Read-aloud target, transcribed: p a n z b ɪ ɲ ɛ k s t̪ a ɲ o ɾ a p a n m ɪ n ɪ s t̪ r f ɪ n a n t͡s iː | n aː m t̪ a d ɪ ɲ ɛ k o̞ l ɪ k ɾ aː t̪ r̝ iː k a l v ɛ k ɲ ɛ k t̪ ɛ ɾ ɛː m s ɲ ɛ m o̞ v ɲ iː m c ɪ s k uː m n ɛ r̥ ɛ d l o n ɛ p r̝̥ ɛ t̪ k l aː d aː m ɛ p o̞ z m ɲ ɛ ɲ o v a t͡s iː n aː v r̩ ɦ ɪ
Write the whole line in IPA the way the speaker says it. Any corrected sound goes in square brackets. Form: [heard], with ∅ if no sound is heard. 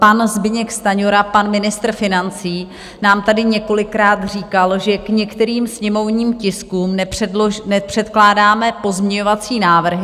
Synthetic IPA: p a n z b ɪ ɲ ɛ k s t̪ a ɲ o ɾ a p a n m ɪ n ɪ s t̪ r f ɪ n a n t͡s iː | n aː m t̪ a d ɪ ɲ ɛ k o̞ l ɪ k ɾ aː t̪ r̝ iː k a l [ʒ] ɛ k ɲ ɛ k t̪ ɛ ɾ [iː] m s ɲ ɛ m o̞ v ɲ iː m c ɪ s k uː m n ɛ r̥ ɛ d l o n ɛ p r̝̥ ɛ t̪ k l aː d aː m ɛ p o̞ z m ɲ ɛ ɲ o v a t͡s iː n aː v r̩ ɦ ɪ